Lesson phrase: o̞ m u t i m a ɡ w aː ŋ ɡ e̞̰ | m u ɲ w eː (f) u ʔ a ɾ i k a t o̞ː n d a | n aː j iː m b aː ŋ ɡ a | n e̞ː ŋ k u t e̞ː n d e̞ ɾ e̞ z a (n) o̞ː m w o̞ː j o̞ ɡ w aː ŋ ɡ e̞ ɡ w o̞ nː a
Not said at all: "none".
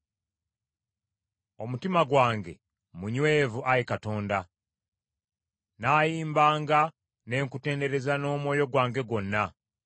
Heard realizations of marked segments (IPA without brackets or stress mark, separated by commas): v, n